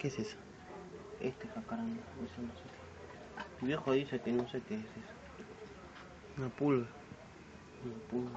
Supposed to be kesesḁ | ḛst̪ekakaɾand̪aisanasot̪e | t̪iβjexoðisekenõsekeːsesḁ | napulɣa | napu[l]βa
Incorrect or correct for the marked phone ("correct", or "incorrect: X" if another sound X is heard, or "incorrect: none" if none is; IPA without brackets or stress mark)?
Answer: correct